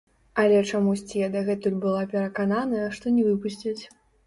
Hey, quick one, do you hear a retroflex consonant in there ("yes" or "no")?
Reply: yes